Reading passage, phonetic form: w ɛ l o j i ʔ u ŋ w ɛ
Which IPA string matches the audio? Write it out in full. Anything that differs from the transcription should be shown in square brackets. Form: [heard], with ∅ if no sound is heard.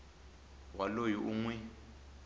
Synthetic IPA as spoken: w [a] l o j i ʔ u ŋ w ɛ

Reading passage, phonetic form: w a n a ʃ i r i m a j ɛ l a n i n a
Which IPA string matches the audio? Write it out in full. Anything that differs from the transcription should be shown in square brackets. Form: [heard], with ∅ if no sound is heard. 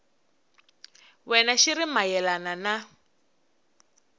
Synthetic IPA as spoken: w [ɛ] n a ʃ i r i m a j ɛ l a n [a] n a

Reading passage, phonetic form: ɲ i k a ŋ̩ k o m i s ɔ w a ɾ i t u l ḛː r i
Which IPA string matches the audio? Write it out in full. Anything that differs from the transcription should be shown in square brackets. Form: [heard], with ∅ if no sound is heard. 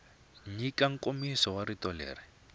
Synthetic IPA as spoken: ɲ i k a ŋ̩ k o m i s ɔ w a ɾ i t [ɔ] l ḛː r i

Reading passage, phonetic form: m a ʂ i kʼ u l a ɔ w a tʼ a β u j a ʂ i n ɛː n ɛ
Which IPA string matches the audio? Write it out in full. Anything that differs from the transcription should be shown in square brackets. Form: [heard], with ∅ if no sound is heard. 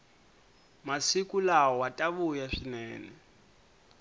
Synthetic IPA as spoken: m a [s] i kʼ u l a ɔ w a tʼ a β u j a ʂ i n ɛː n ɛ

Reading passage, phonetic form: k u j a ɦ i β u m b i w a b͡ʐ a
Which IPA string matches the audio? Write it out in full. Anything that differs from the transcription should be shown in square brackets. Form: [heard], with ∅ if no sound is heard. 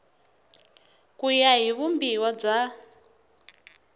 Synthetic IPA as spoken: k u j a ɦ i β u m b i w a b͡ʐ a

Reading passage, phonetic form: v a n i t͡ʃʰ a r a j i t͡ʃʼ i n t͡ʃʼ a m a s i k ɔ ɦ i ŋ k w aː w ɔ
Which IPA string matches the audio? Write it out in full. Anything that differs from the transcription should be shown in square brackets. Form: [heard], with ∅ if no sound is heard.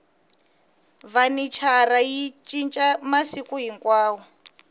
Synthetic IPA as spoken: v a n i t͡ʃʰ a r a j i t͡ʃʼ i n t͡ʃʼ a m a s i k [u] ɦ i ŋ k w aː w ɔ

